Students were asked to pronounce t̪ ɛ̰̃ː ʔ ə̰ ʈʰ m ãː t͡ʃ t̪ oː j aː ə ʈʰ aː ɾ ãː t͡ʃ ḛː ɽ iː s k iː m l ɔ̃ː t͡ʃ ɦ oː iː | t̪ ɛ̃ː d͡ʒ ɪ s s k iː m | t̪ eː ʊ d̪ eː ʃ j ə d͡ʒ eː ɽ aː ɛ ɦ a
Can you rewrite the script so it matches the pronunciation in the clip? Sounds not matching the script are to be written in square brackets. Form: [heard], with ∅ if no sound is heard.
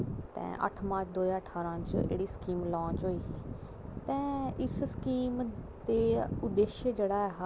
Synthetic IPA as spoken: t̪ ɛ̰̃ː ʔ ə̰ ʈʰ m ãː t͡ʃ [d̪] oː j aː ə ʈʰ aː ɾ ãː t͡ʃ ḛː ɽ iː s k iː m l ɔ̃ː t͡ʃ ɦ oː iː | t̪ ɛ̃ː [∅] ɪ s s k iː m | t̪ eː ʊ d̪ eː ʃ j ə d͡ʒ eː ɽ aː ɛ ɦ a